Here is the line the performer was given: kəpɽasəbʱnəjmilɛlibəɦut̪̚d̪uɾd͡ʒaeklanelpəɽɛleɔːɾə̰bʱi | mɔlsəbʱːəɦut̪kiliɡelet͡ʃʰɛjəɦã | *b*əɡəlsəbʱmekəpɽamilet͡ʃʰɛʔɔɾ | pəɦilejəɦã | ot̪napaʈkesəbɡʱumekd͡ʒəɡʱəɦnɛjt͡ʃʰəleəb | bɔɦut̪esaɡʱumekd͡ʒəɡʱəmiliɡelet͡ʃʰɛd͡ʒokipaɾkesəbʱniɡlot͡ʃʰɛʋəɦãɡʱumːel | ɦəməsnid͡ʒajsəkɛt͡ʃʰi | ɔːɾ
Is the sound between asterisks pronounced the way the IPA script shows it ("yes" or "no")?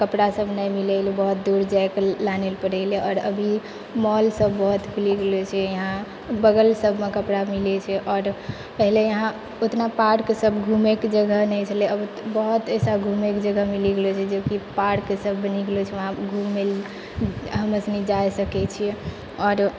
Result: yes